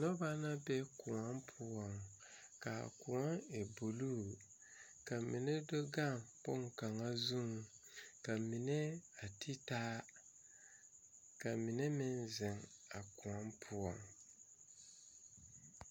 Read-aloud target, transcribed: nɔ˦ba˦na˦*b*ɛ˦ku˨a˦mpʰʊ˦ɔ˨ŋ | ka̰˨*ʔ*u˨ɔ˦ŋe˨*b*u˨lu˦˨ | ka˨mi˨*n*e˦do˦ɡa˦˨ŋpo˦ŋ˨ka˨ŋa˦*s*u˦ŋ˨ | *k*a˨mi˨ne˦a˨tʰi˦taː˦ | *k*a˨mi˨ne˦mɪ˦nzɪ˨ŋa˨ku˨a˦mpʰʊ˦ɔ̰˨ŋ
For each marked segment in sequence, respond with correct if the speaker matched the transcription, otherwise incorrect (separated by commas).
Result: correct, incorrect, correct, correct, incorrect, correct, correct